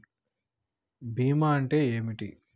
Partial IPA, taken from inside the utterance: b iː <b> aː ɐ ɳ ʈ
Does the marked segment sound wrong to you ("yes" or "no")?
yes